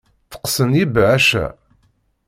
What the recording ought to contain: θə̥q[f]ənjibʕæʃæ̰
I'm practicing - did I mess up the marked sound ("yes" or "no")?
yes